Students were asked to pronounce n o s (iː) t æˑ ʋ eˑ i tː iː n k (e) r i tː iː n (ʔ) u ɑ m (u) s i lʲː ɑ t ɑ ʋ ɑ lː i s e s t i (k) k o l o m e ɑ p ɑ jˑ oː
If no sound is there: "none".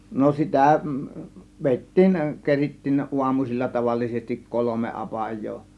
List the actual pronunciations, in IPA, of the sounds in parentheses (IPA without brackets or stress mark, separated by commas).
i, e, ʔ, u, k